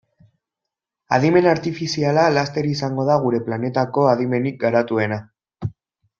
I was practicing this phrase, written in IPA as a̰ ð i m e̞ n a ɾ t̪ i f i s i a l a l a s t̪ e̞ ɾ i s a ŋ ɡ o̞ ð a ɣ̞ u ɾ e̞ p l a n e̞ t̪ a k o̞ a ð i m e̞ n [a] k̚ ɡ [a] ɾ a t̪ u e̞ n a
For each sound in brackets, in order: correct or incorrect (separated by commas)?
incorrect, correct